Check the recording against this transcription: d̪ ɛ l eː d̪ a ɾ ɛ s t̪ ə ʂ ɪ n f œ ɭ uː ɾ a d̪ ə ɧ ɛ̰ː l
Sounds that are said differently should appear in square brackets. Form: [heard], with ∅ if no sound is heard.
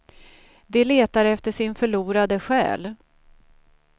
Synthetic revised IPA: d̪ ɛ l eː [t̪] a ɾ ɛ [f] t̪ ə ʂ ɪ n f œ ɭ uː ɾ a d̪ ə ɧ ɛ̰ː l